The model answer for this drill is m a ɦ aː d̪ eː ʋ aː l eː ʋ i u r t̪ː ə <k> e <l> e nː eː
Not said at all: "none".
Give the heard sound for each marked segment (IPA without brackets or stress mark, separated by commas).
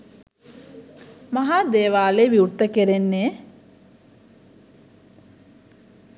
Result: k, ɾ